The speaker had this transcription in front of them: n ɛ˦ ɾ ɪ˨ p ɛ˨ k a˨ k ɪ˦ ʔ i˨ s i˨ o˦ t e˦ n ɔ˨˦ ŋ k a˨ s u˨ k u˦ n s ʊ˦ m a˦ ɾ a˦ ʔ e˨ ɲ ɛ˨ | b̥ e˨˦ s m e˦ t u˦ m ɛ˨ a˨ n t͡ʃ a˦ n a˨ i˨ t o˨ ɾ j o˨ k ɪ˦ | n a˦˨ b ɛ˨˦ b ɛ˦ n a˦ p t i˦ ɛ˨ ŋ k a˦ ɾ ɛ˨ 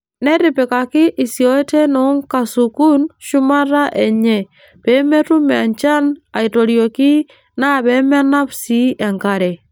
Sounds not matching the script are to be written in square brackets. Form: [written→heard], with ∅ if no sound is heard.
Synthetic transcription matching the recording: n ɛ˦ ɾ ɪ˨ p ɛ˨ k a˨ k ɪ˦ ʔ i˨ s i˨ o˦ t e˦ n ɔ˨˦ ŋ k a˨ s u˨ k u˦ n [s→ʃ] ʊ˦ m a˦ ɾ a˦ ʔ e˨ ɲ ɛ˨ | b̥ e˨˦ [s→∅] m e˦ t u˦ m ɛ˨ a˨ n t͡ʃ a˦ n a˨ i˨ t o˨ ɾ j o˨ k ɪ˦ | n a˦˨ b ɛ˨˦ [b→m] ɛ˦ n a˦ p [t→s] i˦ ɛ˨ ŋ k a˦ ɾ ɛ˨